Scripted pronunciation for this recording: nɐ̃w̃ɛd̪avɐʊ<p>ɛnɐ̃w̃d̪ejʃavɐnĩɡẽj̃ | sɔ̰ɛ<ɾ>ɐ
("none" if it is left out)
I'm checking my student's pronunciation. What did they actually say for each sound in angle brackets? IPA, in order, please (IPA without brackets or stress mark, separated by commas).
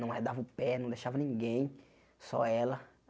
p, l